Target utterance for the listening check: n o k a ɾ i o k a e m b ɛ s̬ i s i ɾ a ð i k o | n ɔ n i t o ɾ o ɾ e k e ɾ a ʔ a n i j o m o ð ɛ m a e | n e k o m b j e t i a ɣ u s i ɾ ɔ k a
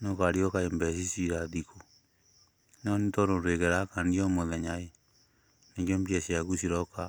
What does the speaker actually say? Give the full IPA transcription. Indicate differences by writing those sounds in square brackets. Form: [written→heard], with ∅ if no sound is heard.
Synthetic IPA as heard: n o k a ɾ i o k a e m b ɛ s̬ i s i ɾ a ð i k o | n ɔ n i t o ɾ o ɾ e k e ɾ a [ʔ→k] a n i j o m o ð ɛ [m→ɲ] a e | n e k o m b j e [t→s] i a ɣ u s i ɾ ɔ k a

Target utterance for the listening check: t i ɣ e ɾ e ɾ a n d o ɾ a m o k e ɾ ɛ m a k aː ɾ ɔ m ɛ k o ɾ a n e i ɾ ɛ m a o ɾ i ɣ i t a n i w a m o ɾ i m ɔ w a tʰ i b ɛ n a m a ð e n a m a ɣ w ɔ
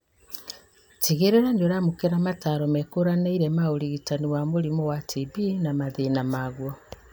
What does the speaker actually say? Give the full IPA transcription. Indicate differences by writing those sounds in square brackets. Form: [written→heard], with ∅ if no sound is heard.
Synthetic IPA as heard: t i ɣ e ɾ e ɾ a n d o ɾ a m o k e ɾ [ɛ→a] m a [k→t] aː ɾ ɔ m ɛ k o ɾ a n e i ɾ ɛ m a o ɾ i ɣ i t a n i w a m o ɾ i m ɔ w a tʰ i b [ɛ→i] n a m a ð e n a m a ɣ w ɔ

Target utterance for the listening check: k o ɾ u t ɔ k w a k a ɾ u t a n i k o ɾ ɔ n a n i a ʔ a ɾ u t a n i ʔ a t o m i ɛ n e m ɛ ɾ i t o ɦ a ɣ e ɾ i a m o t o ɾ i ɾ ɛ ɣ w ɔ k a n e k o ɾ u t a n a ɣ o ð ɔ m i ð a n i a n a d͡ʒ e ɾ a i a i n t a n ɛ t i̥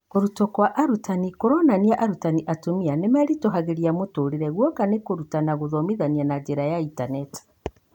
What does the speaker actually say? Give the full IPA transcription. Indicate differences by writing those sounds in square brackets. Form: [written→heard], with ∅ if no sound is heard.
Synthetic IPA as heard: k o ɾ u t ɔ k w a [k→ʔ] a ɾ u t a n i k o ɾ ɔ n a n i a ʔ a ɾ u t a n i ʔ a t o m i [ɛ→a] n e m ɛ ɾ i t o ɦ a ɣ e ɾ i a m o t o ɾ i ɾ ɛ ɣ w ɔ k a n e k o ɾ u t a n a ɣ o ð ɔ m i ð a n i a n a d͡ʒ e ɾ a [i→j] a i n t a n ɛ t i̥

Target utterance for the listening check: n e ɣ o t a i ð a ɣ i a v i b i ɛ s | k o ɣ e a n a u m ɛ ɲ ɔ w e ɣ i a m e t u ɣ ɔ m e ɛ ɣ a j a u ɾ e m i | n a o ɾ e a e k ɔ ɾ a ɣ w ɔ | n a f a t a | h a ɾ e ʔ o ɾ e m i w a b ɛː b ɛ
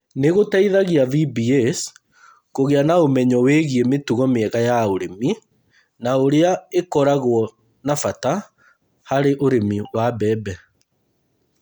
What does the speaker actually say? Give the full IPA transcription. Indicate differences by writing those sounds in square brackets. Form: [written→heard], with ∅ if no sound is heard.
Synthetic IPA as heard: n e ɣ o t a i ð a ɣ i a v i b i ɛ s | k o ɣ e a n a [u→o] m ɛ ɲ ɔ w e ɣ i [a→e] m e t u ɣ ɔ m e ɛ ɣ a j a [u→o] ɾ e m i | n a o ɾ e a e k ɔ ɾ a ɣ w ɔ | n a f a t a | h a ɾ e ʔ o ɾ e m i w a b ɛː b ɛ

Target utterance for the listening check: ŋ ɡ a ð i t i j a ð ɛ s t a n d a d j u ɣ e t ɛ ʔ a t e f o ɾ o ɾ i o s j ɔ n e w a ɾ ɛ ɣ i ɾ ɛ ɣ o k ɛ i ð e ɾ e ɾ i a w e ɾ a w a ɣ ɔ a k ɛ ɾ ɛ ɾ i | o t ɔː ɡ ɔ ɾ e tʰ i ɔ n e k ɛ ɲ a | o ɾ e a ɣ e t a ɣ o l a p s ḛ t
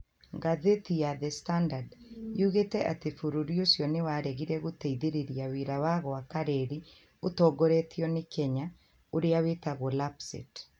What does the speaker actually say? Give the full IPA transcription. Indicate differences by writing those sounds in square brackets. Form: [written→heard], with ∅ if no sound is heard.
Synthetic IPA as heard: ŋ ɡ a ð [i→e] t i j a ð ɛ s t a n d a d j u ɣ e t ɛ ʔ a t e f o ɾ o ɾ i o s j ɔ n e w a ɾ ɛ ɣ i ɾ ɛ ɣ o [k→t] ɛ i ð e ɾ e ɾ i a w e ɾ a w a ɣ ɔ a k [ɛ→a] ɾ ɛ ɾ i | o t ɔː ɡ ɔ ɾ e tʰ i ɔ n e k ɛ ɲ a | o ɾ e a [ɣ→w] e t a ɣ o l a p s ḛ t

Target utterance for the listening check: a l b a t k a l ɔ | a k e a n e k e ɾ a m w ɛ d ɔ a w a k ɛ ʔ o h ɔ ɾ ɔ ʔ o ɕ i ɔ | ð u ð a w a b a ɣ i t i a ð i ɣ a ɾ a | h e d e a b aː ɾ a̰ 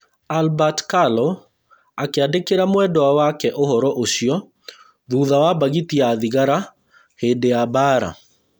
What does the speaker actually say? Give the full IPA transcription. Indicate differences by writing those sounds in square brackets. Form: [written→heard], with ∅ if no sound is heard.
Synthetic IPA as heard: a l b a t k a l ɔ | a k e a [n→d] e k e ɾ a m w ɛ d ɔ a w a k ɛ ʔ o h ɔ ɾ ɔ ʔ o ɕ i ɔ | ð u ð a w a b a ɣ i t i a ð i ɣ a ɾ a | h e d e a b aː ɾ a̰

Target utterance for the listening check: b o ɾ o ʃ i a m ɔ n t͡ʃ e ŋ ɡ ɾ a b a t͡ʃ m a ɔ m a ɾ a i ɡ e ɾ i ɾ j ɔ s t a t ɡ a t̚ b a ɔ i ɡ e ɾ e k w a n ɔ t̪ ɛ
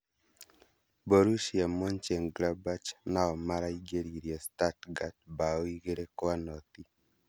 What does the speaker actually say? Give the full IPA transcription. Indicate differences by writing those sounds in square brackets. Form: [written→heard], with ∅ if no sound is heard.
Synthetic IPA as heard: b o ɾ [o→u] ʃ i a m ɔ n t͡ʃ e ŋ ɡ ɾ a b a t͡ʃ [m→n] a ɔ m a ɾ a i ɡ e ɾ i ɾ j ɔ s t a t ɡ a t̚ b a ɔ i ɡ e ɾ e k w a n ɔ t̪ [ɛ→i]

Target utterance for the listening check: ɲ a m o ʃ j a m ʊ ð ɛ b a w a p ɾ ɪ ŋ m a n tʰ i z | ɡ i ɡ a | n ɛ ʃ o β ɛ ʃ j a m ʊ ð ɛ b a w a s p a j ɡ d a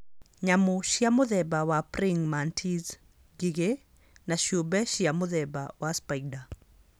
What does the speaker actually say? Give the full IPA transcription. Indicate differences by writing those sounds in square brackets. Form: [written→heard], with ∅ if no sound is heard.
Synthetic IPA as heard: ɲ a m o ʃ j a m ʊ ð ɛ b a w a p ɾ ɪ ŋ m a n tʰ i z | ɡ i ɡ [a→e] | n [ɛ→a] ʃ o [β→b] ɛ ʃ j a m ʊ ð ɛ b a w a s p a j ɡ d a

